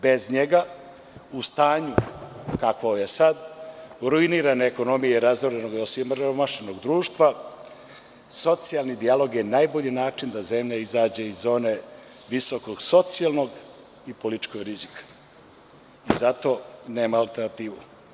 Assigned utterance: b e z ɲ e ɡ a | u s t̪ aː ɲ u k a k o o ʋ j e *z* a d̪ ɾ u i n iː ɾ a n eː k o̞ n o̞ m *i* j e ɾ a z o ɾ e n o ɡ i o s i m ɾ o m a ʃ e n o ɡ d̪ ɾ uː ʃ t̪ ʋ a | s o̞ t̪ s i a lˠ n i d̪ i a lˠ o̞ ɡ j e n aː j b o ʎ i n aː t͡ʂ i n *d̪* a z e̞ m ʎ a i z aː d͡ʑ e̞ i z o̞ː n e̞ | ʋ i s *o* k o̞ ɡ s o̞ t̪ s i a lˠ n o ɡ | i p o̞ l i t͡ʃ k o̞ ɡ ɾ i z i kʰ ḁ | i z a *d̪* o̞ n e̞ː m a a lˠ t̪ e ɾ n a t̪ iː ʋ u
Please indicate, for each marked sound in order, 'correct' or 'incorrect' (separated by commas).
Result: incorrect, correct, correct, correct, incorrect